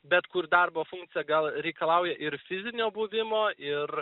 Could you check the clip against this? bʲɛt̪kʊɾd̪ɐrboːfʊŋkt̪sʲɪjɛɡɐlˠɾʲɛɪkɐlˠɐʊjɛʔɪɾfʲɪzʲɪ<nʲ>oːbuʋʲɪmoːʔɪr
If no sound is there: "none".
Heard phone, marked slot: nʲ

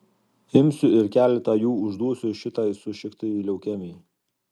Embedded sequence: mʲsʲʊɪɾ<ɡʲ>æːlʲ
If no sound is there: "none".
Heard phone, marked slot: kʲ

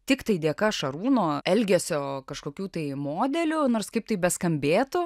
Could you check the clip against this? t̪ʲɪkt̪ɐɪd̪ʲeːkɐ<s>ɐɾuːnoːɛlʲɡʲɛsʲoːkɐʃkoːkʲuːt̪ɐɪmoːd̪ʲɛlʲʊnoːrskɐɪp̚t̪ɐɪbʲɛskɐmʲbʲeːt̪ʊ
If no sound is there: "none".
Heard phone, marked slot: ʃ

